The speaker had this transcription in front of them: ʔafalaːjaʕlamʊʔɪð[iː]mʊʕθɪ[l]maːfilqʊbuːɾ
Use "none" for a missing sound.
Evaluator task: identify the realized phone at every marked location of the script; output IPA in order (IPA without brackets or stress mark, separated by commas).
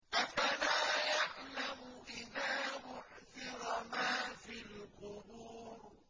aː, ɾ